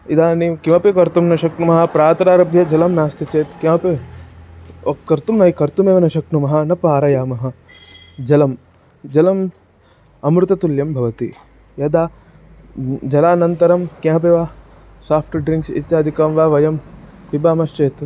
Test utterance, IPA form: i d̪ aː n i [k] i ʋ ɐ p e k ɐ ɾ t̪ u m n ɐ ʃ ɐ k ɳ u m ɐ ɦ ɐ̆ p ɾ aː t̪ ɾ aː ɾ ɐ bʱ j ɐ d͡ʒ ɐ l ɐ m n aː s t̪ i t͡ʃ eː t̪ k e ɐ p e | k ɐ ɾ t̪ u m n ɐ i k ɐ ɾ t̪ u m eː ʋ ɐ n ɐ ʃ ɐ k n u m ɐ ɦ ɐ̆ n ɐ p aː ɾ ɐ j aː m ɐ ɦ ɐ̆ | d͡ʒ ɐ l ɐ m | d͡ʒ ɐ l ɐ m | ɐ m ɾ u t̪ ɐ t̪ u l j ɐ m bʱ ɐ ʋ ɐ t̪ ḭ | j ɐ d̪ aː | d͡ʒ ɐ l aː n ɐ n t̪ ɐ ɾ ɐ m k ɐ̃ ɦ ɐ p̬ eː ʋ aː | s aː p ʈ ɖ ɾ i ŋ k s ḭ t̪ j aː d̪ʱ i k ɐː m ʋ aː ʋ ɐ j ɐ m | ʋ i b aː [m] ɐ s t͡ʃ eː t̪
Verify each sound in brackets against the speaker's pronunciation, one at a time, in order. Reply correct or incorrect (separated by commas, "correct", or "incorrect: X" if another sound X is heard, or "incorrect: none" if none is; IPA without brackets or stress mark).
correct, correct